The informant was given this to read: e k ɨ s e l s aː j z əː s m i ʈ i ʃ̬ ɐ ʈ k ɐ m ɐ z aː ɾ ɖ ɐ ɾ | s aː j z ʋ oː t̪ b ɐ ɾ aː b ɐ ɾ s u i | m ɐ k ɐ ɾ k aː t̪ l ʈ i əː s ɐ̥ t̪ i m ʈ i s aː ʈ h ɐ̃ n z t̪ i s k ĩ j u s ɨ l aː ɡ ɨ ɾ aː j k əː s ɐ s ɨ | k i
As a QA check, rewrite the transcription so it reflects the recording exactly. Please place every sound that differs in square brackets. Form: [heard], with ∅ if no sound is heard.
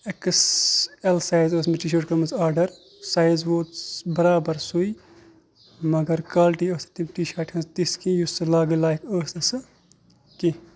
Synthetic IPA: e k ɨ s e l s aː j z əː s m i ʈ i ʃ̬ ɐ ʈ k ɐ m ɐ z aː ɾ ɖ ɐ ɾ | s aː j z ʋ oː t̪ b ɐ ɾ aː b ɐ ɾ s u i | m ɐ [ɡ] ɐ ɾ k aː [∅] l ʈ i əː s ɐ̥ t̪ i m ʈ i [ʃ] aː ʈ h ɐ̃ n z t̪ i s k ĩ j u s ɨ l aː ɡ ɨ [l] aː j k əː s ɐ s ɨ | k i